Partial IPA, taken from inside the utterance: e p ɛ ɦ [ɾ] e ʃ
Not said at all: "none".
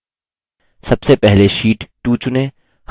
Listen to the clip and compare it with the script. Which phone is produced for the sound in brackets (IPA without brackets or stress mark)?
l